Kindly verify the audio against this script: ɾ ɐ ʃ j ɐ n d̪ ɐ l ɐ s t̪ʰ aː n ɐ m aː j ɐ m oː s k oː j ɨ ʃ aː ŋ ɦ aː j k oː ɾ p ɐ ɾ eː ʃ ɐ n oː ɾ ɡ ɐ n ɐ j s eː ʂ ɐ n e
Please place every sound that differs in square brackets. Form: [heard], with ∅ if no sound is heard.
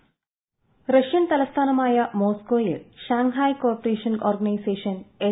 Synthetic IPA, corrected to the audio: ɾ ɐ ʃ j ɐ n [t̪] ɐ l ɐ s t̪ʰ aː n ɐ m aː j ɐ m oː s k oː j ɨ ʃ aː ŋ ɦ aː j k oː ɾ p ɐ ɾ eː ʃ ɐ n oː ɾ ɡ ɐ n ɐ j s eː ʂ ɐ n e